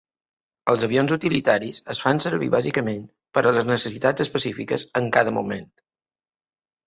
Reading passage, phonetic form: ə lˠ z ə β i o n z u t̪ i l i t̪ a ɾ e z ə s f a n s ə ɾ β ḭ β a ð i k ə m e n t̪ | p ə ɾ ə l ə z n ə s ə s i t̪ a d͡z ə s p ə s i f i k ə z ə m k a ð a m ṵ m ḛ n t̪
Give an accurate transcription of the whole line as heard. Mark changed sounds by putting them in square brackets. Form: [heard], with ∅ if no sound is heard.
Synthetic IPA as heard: ə lˠ z ə β i o n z u t̪ i l i t̪ a ɾ [i] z ə s f a n s ə ɾ β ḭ β a [z] i k ə m e n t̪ | p ə ɾ ə l ə z n ə s ə s i t̪ a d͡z ə s p ə s i f i k ə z ə [ŋ] k a ð [ə] m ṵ m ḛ n t̪